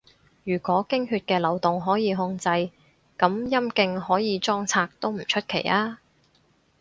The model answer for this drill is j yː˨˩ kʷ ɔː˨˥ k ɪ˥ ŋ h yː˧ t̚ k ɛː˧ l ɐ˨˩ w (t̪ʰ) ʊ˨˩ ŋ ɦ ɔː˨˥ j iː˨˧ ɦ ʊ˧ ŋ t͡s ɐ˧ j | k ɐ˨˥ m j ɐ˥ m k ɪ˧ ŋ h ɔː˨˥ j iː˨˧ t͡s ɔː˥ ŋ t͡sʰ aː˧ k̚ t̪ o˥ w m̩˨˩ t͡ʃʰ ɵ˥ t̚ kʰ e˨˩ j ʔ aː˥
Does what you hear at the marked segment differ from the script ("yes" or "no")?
yes